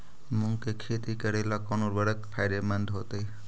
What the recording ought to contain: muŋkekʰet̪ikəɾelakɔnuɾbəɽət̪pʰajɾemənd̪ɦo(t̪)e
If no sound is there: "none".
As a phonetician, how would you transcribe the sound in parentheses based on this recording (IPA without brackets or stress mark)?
t̪